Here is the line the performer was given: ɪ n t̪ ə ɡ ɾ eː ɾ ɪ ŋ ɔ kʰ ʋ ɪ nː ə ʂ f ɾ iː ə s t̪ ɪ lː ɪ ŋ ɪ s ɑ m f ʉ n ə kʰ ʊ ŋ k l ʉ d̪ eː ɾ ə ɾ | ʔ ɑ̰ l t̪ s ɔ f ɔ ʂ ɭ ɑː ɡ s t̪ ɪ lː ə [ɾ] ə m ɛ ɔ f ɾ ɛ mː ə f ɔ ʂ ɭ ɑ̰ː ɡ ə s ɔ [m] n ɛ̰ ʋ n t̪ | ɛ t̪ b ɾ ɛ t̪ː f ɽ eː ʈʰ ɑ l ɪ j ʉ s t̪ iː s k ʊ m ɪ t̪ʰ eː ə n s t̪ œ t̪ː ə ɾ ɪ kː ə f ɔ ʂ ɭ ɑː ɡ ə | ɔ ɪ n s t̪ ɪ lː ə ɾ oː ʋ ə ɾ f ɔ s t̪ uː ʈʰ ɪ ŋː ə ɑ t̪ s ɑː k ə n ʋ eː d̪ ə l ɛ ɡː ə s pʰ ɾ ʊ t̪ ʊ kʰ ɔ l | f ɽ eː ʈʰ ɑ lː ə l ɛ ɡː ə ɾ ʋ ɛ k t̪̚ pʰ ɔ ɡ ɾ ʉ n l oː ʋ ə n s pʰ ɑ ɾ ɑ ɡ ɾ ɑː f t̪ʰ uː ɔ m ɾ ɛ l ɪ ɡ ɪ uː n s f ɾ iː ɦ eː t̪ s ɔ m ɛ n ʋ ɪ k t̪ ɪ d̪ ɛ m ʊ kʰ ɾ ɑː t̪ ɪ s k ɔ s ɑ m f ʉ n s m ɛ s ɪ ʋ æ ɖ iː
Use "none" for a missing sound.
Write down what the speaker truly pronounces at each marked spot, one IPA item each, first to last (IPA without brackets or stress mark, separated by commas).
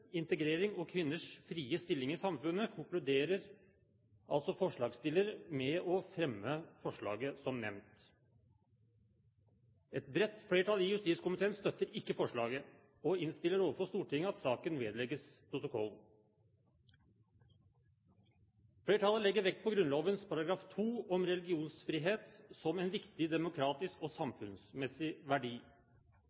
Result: ɾ, m